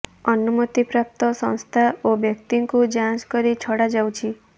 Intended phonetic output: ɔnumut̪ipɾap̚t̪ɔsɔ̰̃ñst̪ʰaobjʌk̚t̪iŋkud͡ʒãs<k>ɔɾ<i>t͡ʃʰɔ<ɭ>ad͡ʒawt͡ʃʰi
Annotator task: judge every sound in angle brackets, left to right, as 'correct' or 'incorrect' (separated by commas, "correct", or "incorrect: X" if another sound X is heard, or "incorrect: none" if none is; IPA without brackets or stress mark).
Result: correct, correct, incorrect: ɽ